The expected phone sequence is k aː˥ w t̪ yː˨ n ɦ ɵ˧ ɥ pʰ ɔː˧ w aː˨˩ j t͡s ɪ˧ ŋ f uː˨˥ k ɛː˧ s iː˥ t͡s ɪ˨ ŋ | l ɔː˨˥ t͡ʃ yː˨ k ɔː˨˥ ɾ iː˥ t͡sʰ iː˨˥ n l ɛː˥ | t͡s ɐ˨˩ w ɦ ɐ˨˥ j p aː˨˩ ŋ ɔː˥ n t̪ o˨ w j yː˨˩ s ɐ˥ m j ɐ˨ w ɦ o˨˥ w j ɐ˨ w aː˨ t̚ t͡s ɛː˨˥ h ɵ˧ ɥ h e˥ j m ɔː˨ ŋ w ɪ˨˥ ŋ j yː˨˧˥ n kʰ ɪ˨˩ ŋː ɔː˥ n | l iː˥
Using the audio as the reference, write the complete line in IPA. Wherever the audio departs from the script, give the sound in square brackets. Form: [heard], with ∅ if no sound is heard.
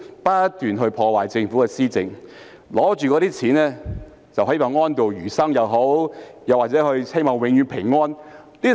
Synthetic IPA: [p] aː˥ [∅] t̪ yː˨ n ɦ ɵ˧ ɥ pʰ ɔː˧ w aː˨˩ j t͡s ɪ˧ ŋ f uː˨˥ k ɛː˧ s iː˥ t͡s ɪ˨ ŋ | l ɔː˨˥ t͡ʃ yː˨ k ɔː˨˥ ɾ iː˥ t͡sʰ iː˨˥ n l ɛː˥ | t͡s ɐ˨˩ w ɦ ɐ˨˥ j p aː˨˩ ŋ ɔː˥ n t̪ o˨ w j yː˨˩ s ɐ˥ [ŋ] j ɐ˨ w ɦ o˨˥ w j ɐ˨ w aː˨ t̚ t͡s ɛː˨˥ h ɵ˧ ɥ h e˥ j m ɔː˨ ŋ w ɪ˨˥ ŋ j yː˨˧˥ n [pʰ] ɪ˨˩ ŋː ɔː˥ n | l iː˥